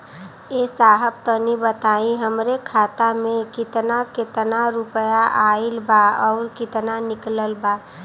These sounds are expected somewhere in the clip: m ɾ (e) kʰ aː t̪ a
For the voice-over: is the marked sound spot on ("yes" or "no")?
yes